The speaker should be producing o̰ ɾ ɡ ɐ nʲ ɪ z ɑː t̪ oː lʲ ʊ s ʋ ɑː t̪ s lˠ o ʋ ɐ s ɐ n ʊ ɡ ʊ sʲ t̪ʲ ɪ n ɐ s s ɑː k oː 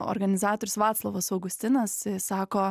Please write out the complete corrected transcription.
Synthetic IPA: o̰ ɾ ɡ ɐ nʲ ɪ z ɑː t̪ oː ɾʲ ʊ s ʋ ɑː t̪ s lˠ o ʋ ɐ s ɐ ʊ ɡ ʊ sʲ t̪ʲ ɪ n ɐ s s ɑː k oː